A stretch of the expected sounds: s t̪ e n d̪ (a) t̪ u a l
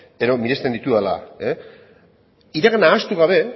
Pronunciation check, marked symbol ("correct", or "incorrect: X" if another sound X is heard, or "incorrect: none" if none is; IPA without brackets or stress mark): incorrect: i